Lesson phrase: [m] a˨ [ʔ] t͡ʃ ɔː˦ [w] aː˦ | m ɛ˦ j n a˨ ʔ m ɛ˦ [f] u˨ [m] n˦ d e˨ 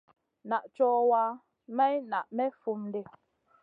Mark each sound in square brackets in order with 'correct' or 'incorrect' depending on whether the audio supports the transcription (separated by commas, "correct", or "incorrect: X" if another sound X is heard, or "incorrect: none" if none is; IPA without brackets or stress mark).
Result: incorrect: n, correct, correct, correct, correct